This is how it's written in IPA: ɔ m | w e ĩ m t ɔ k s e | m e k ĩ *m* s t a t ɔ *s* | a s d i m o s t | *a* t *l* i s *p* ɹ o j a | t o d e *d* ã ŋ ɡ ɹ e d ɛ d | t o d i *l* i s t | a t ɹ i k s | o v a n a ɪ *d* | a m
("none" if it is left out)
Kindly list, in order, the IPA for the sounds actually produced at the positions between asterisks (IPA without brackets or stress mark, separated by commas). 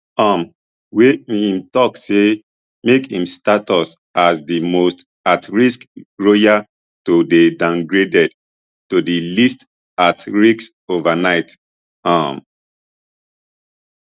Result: m, s, a, ɹ, k, d, l, t